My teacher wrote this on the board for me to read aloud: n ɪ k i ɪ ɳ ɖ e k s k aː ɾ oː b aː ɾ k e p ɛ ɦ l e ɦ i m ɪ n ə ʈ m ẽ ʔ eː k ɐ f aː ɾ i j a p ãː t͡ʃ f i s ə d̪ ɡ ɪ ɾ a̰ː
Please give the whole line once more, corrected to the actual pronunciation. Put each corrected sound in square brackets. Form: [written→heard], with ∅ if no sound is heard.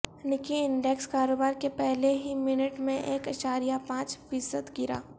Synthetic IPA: n ɪ k i ɪ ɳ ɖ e k s k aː ɾ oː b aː ɾ k e p ɛ ɦ l e ɦ i m ɪ n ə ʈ m ẽ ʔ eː k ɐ [f→ʃ] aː ɾ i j a p ãː t͡ʃ f [i→iː] s ə d̪ ɡ ɪ ɾ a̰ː